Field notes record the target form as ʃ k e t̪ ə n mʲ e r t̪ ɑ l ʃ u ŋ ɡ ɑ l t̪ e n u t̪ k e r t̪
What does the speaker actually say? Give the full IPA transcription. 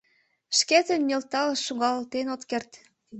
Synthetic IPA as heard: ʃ k e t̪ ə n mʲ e l t̪ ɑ l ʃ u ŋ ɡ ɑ l t̪ e n o t̪ k e r t̪